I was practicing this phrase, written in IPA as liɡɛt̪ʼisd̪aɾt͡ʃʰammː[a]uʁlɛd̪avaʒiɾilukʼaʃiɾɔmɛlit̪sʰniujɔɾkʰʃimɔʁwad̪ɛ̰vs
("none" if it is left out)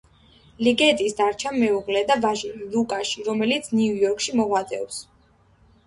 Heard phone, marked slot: ɛ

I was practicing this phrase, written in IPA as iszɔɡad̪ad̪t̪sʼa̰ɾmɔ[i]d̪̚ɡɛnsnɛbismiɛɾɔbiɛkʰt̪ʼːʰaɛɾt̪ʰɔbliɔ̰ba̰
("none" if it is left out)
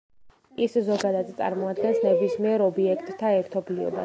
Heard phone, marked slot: a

